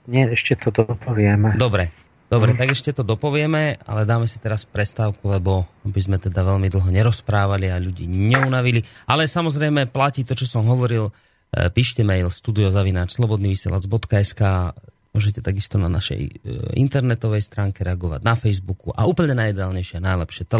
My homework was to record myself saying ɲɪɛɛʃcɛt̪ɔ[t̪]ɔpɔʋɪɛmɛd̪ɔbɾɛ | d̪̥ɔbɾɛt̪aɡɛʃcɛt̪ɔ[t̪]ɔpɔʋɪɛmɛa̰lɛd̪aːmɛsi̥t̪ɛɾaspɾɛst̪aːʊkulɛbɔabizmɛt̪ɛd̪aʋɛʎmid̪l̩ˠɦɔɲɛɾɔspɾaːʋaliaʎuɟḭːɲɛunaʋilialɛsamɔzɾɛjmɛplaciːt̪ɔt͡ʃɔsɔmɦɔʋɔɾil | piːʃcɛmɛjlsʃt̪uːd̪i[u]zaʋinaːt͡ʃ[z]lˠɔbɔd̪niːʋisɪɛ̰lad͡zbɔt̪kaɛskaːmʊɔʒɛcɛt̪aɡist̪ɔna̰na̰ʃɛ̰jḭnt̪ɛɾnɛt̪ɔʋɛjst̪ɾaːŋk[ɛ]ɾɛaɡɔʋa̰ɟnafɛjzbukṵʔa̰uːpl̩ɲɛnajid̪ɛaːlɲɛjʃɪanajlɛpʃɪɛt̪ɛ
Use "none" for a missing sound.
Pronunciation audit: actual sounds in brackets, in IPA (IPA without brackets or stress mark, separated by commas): d̪, d̪, ɔ, s, ɛ